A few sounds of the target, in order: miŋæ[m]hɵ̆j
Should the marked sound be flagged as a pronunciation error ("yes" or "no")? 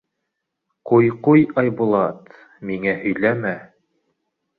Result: yes